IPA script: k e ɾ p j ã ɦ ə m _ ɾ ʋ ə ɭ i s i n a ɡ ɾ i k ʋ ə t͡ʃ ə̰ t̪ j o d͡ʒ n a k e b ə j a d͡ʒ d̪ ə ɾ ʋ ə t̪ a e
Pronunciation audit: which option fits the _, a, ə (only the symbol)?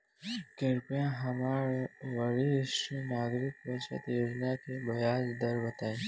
a